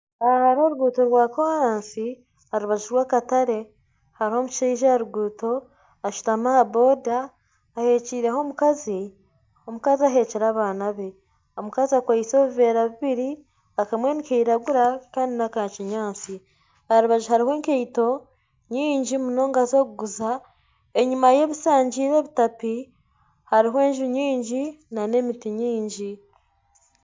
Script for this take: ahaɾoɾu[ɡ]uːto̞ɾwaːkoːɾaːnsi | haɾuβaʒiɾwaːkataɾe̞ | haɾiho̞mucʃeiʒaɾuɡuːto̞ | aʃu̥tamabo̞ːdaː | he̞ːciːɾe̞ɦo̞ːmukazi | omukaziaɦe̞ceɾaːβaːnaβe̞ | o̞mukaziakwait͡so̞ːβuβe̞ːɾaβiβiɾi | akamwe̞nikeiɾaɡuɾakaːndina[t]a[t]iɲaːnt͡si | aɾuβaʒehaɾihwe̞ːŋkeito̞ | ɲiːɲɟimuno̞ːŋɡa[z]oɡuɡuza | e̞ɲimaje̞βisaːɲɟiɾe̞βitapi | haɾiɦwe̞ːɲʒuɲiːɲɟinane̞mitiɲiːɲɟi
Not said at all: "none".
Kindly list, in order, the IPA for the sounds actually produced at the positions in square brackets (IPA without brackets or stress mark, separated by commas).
ɡ, k, c, z